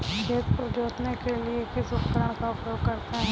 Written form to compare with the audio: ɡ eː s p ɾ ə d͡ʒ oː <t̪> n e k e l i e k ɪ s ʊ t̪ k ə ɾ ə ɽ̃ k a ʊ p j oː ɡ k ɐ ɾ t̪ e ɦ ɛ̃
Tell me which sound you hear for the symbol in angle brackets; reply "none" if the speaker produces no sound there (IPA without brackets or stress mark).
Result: t̪